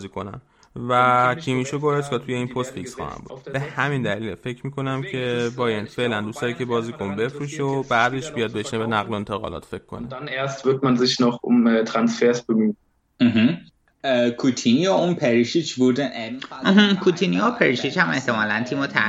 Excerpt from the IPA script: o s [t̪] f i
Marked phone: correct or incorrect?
correct